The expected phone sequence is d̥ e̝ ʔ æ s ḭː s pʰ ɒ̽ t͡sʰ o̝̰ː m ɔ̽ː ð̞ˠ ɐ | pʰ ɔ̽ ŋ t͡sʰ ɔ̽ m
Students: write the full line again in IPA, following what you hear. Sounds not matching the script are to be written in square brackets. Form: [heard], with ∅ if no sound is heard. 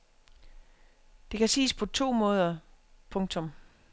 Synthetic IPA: d̥ e̝ [k] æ s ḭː s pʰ ɒ̽ t͡sʰ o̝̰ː m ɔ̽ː ð̞ˠ ɐ | pʰ ɔ̽ ŋ t͡sʰ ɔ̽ m

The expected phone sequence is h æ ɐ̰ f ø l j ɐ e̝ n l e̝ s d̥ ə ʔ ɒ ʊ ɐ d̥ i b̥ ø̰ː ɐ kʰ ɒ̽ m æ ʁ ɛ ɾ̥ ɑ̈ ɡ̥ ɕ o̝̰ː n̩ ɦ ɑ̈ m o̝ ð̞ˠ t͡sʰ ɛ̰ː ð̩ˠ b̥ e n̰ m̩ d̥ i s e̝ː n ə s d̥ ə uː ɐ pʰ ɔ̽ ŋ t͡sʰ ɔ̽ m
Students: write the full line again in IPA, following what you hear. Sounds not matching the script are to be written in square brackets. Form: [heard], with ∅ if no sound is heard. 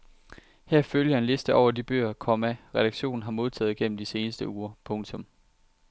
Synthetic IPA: h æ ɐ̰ f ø l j ɐ e̝ n l e̝ s d̥ ə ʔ ɒ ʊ ɐ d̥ i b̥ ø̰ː ɐ kʰ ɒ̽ m æ ʁ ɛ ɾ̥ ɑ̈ ɡ̥ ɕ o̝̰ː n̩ ɦ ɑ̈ m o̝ ð̞ˠ t͡sʰ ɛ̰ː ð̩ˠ [ɡ̥] e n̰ m̩ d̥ i s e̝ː n ə s d̥ ə uː ɐ pʰ ɔ̽ ŋ t͡sʰ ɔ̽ m

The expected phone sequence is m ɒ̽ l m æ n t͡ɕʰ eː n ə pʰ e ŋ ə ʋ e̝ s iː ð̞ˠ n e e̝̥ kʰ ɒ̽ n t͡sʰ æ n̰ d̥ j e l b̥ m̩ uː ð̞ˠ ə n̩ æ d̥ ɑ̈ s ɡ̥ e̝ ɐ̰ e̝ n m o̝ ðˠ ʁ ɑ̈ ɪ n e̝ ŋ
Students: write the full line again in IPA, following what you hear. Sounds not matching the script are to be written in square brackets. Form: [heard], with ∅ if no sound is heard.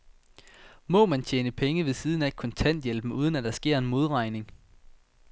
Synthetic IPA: m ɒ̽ [∅] m æ n t͡ɕʰ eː n ə pʰ e ŋ ə ʋ e̝ s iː ð̞ˠ n [æ] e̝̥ kʰ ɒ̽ n t͡sʰ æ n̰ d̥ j e l b̥ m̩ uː ð̞ˠ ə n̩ æ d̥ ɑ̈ s ɡ̥ e̝ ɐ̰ e̝ n m o̝ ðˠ ʁ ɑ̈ ɪ n e̝ ŋ

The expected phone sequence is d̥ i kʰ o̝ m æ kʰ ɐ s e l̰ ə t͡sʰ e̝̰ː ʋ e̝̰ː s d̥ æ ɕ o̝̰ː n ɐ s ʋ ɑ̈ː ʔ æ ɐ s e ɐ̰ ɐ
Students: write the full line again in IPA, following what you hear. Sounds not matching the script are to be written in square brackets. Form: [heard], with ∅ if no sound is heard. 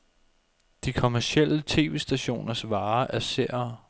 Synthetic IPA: d̥ i kʰ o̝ m æ [∅] ɐ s e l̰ ə t͡sʰ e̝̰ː ʋ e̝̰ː s d̥ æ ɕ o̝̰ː n ɐ s ʋ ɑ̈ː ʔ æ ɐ s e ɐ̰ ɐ

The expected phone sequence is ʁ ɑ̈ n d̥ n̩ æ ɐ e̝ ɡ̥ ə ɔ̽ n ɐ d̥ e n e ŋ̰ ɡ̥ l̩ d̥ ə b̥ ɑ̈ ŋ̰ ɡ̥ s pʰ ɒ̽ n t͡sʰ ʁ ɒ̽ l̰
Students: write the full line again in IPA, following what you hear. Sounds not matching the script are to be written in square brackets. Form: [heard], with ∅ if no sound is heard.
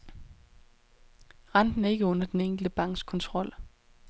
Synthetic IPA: ʁ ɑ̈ n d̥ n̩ æ ɐ e̝ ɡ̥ ə ɔ̽ n ɐ d̥ e n e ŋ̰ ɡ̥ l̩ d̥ ə b̥ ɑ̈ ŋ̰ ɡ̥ s [kʰ] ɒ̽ n t͡sʰ ʁ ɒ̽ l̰

